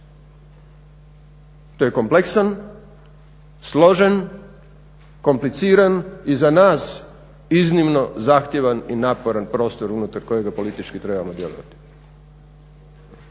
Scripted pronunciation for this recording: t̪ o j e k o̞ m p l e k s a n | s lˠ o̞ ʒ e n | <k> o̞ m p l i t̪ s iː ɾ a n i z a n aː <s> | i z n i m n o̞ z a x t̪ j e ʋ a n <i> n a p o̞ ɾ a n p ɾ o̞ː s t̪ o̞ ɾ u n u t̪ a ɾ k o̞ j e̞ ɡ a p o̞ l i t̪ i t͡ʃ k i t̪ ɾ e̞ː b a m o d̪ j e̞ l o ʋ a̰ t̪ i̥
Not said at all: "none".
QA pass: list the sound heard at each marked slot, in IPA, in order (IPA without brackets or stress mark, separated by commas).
k, s, i